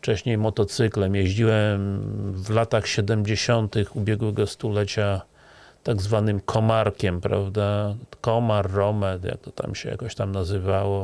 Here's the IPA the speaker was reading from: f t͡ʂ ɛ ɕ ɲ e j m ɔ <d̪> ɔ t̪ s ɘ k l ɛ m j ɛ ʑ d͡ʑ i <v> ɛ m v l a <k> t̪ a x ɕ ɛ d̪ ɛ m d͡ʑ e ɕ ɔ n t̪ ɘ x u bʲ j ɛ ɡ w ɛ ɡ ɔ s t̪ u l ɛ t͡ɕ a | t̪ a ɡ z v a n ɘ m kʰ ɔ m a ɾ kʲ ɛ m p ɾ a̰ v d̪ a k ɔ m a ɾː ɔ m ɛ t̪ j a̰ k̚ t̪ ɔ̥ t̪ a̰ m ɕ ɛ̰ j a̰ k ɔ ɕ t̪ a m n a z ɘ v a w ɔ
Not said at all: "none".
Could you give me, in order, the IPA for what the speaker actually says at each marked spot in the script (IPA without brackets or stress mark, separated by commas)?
t̪, w, none